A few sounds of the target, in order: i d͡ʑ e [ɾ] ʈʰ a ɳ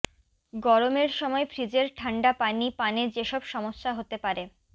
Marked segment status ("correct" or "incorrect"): correct